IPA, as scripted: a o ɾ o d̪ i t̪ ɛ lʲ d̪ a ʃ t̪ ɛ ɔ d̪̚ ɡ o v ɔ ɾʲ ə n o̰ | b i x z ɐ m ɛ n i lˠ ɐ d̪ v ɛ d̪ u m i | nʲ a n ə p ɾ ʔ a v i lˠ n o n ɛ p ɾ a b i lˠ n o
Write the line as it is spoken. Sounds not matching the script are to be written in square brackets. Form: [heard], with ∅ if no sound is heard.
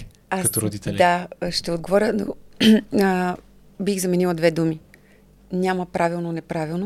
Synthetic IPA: a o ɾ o d̪ i t̪ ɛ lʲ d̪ a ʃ t̪ ɛ [o] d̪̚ ɡ o v ɔ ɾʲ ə n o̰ | b i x z ɐ m ɛ n i lˠ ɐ d̪ v ɛ d̪ u m i | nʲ a [m] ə p ɾ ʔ a v i lˠ n o n ɛ p ɾ a [v] i lˠ n o